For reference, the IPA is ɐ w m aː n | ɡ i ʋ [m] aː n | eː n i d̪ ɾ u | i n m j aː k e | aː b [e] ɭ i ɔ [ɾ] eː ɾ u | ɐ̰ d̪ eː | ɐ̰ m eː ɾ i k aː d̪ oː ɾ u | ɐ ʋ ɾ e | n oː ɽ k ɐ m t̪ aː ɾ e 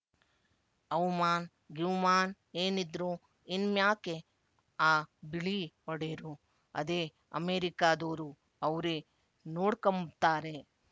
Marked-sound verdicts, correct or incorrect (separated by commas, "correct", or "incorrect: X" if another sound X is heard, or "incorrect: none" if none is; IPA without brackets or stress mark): correct, incorrect: i, incorrect: ɽ